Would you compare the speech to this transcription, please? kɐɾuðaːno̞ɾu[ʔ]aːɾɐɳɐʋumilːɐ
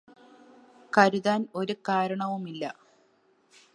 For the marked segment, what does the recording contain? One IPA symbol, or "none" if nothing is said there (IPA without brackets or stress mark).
k